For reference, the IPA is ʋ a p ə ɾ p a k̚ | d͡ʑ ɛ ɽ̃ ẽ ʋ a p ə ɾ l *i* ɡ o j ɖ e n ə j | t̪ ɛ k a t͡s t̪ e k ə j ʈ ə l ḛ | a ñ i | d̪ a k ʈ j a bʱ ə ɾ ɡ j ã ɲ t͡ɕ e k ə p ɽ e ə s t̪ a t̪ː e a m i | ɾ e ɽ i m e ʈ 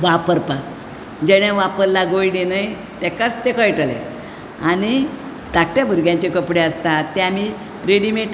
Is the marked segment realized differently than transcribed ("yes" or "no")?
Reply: yes